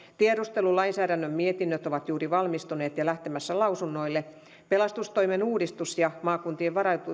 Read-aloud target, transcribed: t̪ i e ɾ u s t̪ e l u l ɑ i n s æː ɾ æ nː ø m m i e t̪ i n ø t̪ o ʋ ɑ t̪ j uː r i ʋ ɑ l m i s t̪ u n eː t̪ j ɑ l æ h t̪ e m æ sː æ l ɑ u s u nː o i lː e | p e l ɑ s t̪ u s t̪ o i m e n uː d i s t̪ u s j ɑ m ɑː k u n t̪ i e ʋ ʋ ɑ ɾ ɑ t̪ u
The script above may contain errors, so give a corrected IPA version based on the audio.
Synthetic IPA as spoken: t̪ i e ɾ u s t̪ e l u l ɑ i n s æː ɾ æ nː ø m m i e t̪ i nː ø t̪ o ʋ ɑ t̪ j uː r i ʋ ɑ l m i s t̪ u n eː t̪ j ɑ l æ h t̪ e m æ sː æ l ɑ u s u nː o i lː e | p e l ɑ s t̪ u s t̪ o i m e n uː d i s t̪ u s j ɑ m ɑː k u n t̪ i e ʋ ʋ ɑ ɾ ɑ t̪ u